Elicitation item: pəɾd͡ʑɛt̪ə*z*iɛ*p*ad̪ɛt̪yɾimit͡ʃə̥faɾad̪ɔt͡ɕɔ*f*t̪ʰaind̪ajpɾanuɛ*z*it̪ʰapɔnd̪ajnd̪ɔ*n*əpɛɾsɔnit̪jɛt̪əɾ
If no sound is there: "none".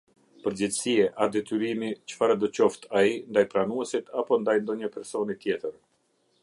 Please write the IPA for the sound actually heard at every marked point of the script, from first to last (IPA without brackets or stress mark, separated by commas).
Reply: s, ʔ, f, s, ɲ